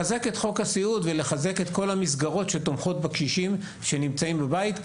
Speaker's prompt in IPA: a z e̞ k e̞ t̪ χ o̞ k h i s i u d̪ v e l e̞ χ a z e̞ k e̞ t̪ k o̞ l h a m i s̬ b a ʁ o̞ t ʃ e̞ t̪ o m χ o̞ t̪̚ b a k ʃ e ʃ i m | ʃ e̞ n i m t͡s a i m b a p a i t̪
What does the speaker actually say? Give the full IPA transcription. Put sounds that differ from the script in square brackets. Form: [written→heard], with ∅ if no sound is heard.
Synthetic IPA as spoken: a z e̞ k e̞ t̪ χ o̞ k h [i→a] s i u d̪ v e l e̞ χ a z e̞ k e̞ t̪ k o̞ l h a m i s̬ [b→ɡ] a ʁ o̞ t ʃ e̞ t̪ o m χ o̞ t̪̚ b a k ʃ [e→i] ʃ i m | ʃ e̞ n i m t͡s a i m b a [p→b] a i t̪